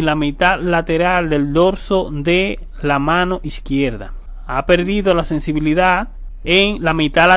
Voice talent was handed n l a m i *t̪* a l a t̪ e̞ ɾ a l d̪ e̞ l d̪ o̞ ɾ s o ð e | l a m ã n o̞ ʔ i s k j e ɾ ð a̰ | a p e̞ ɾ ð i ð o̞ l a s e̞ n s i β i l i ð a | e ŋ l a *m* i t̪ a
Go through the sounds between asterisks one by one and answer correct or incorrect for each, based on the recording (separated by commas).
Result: correct, correct